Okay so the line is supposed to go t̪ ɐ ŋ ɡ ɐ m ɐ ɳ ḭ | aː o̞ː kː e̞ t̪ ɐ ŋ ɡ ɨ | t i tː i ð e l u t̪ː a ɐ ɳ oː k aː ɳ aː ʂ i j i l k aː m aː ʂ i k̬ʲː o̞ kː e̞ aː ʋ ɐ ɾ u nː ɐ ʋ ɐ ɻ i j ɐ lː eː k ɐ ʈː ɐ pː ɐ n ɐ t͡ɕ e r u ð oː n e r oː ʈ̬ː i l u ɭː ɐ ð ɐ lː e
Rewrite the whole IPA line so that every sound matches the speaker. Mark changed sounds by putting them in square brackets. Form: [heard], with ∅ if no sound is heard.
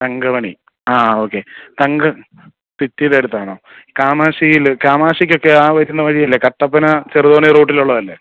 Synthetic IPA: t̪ ɐ ŋ ɡ ɐ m ɐ ɳ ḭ | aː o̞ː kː e̞ t̪ ɐ ŋ ɡ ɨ | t i tː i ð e [ɽ] u t̪ː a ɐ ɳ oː k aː [m] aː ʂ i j i l k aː m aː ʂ i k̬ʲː o̞ kː e̞ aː ʋ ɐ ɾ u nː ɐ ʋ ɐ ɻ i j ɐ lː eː k ɐ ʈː ɐ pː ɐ n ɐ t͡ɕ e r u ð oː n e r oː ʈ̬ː i l u ɭː ɐ ð ɐ lː e